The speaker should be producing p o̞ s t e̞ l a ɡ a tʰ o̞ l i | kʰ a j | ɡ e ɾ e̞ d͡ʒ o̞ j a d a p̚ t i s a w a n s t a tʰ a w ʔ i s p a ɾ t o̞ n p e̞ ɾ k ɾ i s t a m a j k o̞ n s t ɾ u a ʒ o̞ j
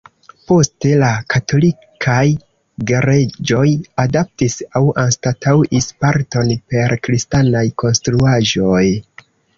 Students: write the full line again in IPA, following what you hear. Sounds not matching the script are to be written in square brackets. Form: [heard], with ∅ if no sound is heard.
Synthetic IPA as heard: p o̞ s t e̞ l a [k] a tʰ o̞ l i | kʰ a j | ɡ e ɾ e̞ d͡ʒ o̞ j a d a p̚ t i s a w a n s t a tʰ a w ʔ i s p a ɾ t o̞ n p e̞ ɾ k ɾ i s t a [n] a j k o̞ n s t ɾ u a ʒ o̞ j